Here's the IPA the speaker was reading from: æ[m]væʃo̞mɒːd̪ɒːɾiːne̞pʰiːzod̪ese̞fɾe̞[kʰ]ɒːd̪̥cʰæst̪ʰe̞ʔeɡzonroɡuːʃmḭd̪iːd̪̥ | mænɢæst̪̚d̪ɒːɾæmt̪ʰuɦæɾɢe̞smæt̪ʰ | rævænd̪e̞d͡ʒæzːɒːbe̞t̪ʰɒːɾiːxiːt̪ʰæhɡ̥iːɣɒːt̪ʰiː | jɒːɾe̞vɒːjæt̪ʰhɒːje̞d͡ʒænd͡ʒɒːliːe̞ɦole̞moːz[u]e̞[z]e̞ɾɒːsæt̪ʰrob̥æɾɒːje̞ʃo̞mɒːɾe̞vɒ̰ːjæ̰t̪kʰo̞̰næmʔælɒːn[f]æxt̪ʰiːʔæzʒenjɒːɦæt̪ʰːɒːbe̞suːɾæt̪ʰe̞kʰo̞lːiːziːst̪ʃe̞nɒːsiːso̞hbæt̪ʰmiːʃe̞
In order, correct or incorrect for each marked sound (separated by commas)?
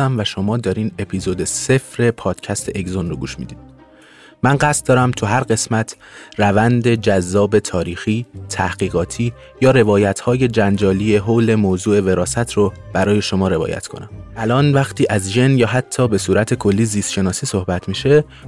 correct, incorrect, incorrect, incorrect, incorrect